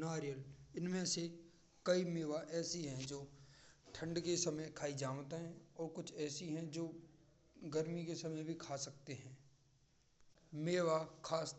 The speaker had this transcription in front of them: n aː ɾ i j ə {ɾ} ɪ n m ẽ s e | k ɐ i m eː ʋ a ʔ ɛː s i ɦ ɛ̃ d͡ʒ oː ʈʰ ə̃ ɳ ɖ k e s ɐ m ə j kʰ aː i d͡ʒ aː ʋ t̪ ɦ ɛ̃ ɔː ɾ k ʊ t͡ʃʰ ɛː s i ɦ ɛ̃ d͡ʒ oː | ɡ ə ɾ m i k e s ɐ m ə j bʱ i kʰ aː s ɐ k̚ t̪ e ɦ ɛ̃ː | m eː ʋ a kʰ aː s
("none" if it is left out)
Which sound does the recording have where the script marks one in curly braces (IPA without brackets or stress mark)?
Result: l